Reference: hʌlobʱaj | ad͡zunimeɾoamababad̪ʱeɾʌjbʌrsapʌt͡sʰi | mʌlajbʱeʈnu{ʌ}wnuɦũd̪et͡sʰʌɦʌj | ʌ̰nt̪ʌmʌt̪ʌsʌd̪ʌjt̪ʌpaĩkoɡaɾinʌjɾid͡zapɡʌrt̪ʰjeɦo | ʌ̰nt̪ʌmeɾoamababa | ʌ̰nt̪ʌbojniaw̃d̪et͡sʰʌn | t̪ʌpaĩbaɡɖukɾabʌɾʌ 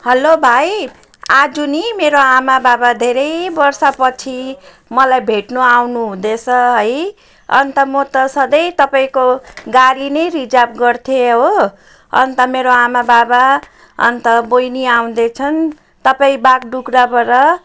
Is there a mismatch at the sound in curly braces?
yes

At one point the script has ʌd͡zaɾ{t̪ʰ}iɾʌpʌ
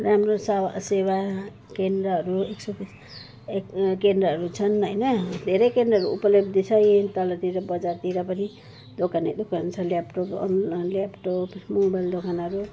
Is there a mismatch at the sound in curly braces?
yes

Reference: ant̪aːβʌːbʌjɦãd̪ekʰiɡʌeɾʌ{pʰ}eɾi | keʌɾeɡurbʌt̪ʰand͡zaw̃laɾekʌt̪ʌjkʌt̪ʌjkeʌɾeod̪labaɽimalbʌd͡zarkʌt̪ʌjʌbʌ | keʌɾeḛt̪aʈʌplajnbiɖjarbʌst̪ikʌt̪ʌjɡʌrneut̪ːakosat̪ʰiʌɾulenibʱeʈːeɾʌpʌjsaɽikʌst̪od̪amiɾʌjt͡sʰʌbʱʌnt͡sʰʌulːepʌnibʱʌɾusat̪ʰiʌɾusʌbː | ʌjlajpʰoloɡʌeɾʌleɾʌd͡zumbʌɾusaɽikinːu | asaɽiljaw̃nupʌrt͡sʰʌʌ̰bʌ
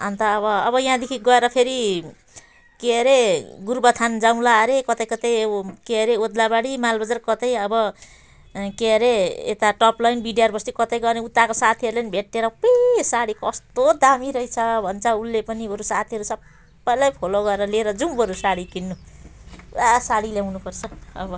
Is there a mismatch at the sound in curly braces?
no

